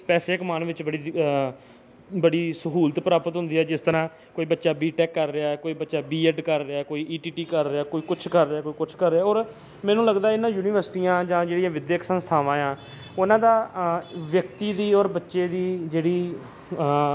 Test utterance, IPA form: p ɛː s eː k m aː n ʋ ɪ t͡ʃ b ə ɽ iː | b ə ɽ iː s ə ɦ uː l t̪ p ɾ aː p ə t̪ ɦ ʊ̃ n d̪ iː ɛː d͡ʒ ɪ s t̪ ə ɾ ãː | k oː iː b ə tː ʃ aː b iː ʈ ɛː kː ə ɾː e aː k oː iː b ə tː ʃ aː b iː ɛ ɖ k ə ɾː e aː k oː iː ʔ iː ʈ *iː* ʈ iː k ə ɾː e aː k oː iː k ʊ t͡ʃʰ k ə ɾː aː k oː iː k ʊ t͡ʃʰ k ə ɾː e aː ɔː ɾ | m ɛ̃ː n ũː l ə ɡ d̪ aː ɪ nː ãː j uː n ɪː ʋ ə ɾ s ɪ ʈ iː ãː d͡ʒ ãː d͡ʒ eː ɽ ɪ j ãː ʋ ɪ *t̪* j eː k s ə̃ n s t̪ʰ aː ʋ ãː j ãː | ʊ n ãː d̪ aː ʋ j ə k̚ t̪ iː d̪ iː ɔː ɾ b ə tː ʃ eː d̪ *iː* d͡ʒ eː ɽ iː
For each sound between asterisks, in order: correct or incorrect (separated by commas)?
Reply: correct, incorrect, correct